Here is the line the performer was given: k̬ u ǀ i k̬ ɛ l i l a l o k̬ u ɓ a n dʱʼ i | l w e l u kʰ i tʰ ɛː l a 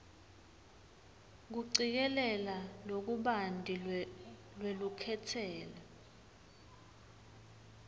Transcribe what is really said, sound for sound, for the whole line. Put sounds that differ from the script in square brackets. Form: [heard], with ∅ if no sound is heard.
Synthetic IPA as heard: k̬ u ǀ i k̬ ɛ l [ɛ] l a l o k̬ u ɓ a n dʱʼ i | l w e l u kʰ [ɛ] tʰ ɛː l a